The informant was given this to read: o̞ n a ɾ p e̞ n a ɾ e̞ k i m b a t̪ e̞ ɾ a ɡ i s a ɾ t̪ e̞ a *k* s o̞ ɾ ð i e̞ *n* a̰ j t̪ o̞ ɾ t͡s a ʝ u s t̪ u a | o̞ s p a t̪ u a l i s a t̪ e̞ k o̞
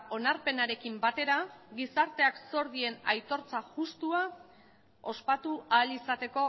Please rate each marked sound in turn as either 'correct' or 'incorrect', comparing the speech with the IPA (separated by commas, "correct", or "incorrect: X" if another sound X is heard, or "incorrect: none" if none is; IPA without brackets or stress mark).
correct, correct